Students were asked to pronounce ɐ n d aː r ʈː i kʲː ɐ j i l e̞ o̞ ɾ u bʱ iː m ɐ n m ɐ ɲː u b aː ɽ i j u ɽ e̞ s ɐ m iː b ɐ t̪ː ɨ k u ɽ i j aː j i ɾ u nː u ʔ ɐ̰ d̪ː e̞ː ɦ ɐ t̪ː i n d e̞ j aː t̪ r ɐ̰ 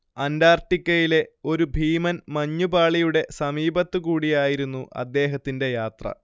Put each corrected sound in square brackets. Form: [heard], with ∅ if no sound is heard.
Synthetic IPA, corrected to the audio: ɐ n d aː r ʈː i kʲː ɐ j i l e̞ o̞ ɾ u bʱ iː m ɐ n m ɐ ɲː u b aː [ɭ] i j u ɽ e̞ s ɐ m iː b ɐ t̪ː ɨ k [uː] ɽ i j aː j i ɾ u nː u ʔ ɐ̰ d̪ː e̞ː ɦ ɐ t̪ː i n d e̞ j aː t̪ r ɐ̰